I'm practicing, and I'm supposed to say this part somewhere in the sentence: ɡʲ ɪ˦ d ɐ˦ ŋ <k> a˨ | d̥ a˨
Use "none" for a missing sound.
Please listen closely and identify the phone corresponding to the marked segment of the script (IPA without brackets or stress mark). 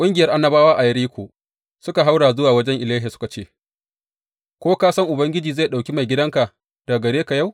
k